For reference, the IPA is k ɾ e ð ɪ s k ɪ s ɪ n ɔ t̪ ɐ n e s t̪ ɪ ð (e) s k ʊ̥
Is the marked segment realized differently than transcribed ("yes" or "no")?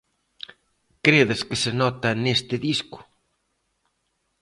yes